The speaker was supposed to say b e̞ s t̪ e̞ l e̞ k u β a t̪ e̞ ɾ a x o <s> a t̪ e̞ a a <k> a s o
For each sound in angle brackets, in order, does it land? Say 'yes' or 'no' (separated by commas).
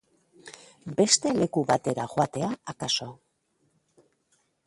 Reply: no, yes